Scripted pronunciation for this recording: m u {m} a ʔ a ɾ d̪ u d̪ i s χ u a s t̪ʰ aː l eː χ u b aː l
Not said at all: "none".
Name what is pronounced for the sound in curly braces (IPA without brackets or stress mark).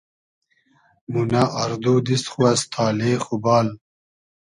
n